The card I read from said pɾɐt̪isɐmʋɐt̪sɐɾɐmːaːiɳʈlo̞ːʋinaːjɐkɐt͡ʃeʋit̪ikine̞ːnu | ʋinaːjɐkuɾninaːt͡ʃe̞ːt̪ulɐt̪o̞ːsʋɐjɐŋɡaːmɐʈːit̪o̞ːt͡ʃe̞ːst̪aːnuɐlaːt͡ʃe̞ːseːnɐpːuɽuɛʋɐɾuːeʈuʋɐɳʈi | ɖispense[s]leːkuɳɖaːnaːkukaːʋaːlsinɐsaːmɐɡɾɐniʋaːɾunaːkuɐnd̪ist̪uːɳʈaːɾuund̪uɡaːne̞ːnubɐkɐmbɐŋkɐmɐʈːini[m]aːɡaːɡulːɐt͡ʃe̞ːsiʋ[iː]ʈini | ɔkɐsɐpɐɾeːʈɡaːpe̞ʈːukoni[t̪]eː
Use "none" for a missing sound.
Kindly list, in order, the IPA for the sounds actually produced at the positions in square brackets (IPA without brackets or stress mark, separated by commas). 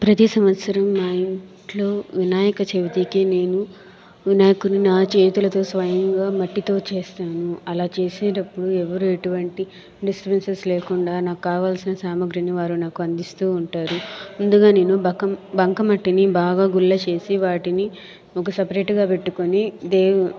s, b, aː, d̪